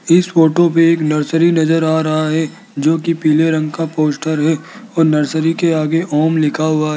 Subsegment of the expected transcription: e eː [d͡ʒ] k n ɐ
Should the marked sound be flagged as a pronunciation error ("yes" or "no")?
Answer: yes